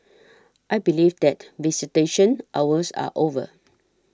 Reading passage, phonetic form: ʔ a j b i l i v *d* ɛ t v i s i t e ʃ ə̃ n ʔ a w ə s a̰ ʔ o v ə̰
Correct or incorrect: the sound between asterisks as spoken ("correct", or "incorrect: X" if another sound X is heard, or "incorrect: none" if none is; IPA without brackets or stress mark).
correct